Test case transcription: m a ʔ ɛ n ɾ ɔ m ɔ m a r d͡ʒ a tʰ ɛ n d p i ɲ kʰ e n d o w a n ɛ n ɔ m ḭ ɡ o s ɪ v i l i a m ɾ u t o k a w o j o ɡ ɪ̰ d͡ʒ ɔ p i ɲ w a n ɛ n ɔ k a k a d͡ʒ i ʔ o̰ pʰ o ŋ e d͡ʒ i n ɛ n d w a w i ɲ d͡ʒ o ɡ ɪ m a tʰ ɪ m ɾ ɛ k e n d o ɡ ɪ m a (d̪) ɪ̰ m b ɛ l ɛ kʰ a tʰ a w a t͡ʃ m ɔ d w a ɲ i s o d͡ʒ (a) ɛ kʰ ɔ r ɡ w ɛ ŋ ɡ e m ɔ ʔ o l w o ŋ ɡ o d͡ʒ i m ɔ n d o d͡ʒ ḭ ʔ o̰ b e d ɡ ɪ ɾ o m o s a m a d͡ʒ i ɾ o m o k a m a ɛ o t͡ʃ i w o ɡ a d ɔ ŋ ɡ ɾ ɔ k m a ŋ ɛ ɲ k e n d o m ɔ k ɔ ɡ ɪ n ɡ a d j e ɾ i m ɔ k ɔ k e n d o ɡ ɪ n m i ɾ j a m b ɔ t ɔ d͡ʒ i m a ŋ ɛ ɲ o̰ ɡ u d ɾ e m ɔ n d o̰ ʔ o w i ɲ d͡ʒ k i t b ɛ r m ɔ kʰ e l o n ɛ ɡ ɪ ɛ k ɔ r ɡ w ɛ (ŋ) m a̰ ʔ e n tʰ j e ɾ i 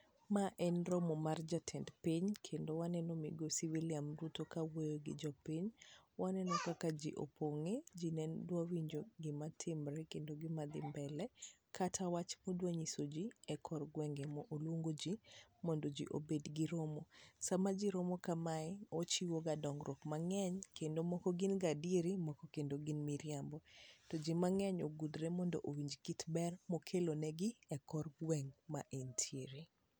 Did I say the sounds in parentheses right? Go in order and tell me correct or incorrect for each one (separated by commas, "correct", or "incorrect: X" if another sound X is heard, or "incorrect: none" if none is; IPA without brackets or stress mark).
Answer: correct, incorrect: i, correct